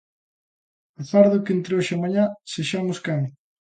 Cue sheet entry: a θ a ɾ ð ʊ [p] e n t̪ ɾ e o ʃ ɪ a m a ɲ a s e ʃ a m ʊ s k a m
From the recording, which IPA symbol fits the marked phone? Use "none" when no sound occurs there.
k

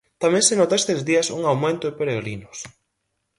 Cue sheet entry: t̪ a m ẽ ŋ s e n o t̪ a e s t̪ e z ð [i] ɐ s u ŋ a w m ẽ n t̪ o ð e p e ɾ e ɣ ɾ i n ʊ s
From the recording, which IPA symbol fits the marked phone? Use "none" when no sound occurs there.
i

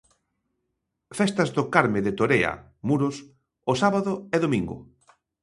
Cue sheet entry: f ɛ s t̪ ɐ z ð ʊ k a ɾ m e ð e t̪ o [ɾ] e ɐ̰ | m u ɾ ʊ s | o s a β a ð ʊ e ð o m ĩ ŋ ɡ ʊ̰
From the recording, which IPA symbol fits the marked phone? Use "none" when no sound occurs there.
ɾ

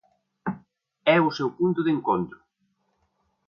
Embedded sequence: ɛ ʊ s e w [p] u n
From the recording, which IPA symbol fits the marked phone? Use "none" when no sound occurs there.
p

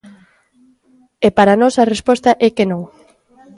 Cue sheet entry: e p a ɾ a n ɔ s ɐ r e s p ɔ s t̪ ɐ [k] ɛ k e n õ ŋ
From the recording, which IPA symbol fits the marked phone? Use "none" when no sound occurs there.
ʔ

